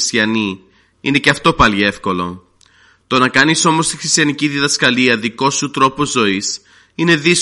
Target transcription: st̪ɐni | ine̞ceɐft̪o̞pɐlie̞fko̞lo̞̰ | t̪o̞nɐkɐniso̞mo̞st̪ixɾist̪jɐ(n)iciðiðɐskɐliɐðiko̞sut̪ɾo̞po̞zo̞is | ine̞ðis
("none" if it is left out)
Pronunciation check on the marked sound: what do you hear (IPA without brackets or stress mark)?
n